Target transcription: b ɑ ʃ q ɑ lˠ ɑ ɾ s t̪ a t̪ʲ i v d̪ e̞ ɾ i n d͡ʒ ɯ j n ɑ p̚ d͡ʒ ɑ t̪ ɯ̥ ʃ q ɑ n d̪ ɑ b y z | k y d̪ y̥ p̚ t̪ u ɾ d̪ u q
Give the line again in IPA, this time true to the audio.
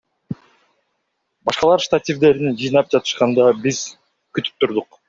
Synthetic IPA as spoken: b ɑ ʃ q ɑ lˠ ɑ ɾ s t̪ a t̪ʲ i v d̪ e̞ ɾ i n d͡ʒ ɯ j n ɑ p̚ d͡ʒ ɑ t̪ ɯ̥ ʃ q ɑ n d̪ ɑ b i z | k y t̪ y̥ p̚ t̪ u ɾ d̪ u q